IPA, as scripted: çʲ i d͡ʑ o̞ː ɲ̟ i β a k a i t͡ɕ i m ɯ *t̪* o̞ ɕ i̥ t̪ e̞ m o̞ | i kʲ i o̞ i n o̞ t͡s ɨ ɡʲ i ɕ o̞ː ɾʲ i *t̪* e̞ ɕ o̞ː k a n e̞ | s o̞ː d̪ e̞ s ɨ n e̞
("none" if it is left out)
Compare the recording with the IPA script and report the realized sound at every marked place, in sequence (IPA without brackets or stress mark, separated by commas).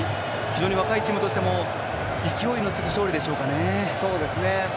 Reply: t̪, d̪